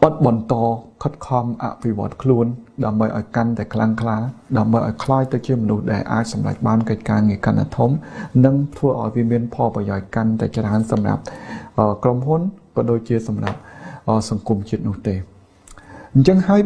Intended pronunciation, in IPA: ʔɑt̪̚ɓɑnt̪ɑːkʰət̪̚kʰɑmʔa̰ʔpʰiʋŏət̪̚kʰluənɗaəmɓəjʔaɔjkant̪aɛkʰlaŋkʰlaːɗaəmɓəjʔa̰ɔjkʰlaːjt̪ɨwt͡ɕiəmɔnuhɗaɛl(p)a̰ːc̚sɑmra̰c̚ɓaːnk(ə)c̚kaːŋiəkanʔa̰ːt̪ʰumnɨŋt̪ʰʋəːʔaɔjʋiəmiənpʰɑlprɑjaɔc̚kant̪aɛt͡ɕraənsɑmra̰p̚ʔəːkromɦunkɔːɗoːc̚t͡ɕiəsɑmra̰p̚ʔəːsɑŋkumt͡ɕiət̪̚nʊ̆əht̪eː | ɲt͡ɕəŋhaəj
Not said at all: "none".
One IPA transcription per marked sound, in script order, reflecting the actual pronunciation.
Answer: ʔ, ə

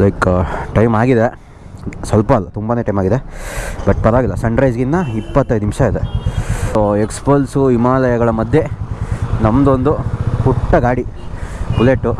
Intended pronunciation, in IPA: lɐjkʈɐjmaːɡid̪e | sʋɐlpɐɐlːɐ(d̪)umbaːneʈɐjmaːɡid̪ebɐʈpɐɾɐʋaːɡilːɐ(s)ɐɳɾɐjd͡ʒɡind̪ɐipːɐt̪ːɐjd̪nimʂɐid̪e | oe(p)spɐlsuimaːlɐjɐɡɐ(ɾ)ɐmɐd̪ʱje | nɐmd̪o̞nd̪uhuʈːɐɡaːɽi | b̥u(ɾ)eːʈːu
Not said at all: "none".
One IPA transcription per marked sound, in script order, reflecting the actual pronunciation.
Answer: t̪, s, k, ɭ, l

